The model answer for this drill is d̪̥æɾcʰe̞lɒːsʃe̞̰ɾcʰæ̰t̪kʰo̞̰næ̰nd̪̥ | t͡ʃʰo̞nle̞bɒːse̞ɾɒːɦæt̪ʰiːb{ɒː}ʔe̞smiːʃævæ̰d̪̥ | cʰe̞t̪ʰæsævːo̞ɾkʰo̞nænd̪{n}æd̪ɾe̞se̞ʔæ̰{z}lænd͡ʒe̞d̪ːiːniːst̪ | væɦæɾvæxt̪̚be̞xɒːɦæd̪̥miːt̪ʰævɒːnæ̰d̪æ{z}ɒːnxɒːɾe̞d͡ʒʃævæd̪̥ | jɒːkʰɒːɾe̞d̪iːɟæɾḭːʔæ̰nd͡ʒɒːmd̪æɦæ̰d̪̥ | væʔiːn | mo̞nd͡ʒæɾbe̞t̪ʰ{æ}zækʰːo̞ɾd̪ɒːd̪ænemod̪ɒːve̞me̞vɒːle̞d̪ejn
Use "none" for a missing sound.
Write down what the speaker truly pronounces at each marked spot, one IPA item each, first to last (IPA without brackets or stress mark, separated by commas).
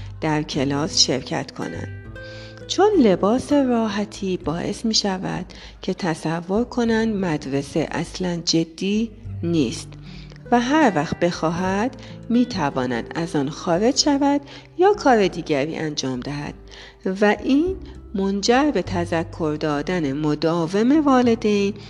ɒː, m, s, z, æ